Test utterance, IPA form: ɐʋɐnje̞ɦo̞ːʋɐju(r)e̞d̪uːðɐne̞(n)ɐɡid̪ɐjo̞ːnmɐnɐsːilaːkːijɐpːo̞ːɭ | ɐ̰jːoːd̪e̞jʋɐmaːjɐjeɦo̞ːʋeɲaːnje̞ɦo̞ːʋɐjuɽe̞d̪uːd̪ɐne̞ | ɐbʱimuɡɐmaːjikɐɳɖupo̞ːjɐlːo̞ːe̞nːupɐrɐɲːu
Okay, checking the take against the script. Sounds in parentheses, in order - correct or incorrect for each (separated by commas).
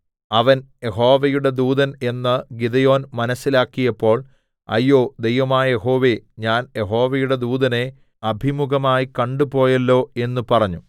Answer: incorrect, incorrect